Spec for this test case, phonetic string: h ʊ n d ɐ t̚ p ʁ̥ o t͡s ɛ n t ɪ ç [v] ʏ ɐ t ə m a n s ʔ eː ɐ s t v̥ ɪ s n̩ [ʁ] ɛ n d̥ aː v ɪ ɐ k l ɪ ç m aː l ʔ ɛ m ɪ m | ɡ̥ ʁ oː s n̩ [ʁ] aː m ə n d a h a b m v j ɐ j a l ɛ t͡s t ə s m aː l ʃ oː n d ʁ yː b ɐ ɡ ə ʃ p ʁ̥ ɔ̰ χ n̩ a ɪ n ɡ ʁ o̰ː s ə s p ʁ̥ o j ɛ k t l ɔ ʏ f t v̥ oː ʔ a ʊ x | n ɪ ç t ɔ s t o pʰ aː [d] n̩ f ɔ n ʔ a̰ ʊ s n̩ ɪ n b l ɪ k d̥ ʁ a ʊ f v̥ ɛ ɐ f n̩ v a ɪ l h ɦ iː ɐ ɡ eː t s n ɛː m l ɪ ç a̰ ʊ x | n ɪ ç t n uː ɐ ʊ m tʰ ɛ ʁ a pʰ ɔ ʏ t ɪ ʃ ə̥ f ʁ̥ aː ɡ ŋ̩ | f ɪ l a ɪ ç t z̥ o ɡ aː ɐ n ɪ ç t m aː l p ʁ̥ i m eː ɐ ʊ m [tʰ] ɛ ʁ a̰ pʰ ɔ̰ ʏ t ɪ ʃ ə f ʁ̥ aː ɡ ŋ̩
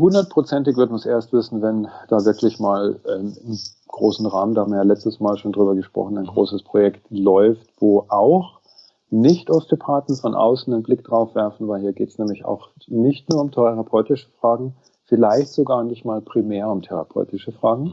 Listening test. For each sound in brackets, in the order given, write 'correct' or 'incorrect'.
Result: correct, incorrect, correct, incorrect, correct

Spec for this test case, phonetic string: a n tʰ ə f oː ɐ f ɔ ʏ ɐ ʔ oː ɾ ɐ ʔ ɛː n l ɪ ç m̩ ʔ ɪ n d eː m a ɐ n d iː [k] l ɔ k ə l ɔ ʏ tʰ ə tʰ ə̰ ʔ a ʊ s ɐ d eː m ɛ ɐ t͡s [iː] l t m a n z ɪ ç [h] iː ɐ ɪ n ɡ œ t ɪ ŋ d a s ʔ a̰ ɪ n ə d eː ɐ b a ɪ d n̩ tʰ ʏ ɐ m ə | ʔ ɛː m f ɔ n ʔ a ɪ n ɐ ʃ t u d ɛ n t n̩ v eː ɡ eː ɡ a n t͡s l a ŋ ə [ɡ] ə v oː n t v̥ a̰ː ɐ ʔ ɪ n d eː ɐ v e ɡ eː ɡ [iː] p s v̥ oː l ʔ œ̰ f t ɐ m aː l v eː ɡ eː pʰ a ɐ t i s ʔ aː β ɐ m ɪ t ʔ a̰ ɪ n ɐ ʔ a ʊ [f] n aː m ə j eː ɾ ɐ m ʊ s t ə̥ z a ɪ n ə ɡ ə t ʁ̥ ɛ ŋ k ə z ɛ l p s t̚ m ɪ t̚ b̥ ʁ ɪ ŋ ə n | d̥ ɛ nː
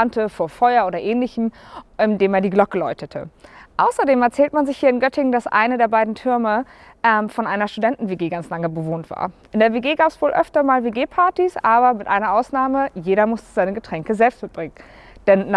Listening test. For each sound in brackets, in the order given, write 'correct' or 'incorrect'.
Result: incorrect, incorrect, correct, incorrect, incorrect, incorrect

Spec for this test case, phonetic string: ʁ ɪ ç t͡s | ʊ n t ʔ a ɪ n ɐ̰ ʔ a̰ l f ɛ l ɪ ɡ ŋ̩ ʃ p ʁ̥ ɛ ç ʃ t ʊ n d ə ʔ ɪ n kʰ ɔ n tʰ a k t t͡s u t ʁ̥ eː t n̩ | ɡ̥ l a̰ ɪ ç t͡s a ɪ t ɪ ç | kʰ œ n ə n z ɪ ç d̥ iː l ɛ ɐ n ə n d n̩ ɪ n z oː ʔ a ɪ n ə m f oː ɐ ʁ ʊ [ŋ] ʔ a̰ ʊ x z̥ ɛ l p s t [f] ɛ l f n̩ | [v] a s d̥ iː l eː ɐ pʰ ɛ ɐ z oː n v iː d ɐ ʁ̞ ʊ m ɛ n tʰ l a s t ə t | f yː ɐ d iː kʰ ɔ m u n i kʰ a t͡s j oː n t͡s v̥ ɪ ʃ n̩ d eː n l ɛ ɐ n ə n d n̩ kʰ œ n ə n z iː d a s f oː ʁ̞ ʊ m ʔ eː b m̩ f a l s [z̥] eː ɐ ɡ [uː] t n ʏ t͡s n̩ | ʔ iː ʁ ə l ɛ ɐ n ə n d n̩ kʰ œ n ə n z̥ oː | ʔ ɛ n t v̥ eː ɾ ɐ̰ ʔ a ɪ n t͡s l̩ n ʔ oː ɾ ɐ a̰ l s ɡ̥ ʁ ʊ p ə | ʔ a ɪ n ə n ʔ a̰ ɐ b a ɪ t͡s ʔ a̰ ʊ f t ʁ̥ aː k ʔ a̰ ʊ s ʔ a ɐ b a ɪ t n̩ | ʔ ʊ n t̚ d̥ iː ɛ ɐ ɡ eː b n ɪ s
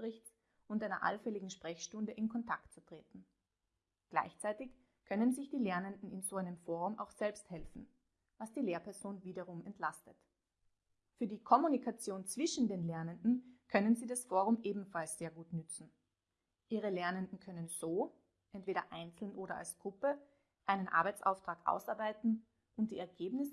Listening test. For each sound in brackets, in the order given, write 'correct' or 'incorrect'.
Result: incorrect, incorrect, correct, correct, correct

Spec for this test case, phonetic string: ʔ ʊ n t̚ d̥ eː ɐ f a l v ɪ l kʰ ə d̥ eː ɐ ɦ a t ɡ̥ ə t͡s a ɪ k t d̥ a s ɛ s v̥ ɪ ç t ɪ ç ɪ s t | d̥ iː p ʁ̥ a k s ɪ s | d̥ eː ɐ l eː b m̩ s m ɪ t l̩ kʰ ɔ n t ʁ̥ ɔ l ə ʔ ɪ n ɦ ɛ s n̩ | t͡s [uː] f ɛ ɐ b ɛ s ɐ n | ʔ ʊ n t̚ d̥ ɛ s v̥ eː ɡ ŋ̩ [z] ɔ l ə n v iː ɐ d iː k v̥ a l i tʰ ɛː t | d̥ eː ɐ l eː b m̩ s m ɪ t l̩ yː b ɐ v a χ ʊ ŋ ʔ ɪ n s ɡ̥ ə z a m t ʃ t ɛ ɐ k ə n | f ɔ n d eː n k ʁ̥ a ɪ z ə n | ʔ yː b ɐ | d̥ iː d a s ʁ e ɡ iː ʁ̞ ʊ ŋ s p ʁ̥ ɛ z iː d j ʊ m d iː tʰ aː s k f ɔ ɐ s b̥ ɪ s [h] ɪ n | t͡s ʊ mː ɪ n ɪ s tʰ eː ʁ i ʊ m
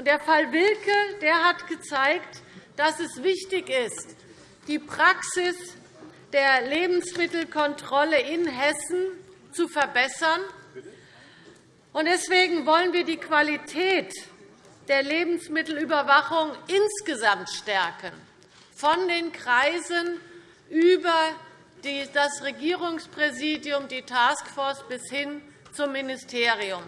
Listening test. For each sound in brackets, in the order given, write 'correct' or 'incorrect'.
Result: incorrect, incorrect, correct

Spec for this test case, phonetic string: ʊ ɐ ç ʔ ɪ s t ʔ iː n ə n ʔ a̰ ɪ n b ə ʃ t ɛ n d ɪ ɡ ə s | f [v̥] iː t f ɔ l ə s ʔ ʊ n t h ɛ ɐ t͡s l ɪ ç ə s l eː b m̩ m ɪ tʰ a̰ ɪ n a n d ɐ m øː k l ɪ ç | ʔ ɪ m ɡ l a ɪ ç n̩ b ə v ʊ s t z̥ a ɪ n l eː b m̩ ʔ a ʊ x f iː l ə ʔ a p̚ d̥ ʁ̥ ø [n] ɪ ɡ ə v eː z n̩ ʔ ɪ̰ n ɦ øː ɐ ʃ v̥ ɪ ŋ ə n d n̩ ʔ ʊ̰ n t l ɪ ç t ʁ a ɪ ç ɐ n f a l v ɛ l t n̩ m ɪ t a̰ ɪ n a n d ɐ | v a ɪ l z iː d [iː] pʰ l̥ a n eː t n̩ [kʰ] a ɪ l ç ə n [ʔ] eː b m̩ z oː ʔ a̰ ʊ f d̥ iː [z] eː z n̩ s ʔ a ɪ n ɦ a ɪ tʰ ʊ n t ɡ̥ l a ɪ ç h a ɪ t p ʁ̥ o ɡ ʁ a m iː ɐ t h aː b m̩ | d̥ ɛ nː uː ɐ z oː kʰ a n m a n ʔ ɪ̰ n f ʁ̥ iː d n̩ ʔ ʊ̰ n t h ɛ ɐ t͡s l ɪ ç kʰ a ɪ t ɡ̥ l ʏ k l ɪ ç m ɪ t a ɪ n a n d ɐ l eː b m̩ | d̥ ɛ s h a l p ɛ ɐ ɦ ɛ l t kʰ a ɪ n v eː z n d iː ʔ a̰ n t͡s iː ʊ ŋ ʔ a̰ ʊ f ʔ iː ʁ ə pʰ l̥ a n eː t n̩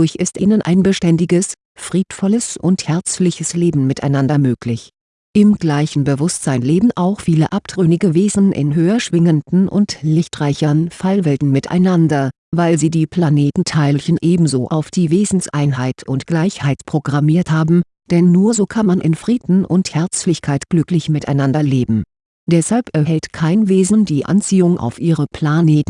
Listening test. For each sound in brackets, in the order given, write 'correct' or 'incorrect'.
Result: incorrect, correct, correct, incorrect, correct, incorrect

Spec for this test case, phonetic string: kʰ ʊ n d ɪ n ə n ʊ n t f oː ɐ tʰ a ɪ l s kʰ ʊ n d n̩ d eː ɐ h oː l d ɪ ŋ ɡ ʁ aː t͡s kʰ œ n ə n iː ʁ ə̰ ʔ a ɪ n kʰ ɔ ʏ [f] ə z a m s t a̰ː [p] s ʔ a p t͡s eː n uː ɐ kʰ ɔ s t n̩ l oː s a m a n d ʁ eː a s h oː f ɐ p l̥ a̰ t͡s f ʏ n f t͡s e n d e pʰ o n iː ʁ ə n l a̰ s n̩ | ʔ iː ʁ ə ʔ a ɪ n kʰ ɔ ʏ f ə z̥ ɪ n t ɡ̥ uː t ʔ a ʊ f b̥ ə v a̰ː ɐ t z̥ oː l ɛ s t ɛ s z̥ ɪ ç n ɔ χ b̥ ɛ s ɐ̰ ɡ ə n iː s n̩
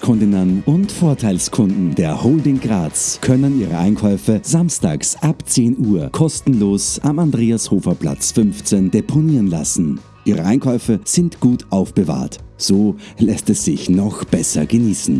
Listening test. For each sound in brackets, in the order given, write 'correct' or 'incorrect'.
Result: correct, incorrect

